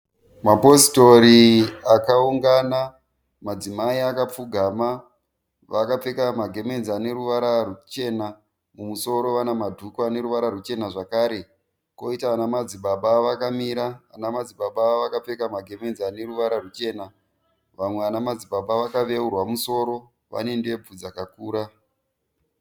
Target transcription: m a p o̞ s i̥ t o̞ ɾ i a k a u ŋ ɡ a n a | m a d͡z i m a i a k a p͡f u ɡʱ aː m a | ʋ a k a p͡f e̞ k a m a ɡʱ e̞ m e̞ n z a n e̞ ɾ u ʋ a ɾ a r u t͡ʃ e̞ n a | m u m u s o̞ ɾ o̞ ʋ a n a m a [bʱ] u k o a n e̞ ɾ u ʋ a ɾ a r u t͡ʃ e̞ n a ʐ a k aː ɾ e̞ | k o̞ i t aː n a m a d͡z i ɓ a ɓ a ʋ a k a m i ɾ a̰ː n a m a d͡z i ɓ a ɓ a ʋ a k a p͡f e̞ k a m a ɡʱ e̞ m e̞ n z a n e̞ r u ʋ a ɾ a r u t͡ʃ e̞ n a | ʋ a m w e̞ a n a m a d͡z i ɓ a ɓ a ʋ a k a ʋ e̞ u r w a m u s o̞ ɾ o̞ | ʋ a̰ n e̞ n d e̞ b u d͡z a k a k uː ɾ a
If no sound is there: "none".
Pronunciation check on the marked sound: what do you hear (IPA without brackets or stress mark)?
dʱ